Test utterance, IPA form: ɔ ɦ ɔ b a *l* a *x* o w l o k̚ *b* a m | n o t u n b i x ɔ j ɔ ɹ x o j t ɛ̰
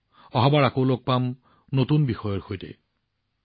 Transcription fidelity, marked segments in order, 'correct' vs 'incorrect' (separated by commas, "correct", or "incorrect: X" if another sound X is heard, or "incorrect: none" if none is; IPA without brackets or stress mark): incorrect: ɹ, incorrect: k, incorrect: p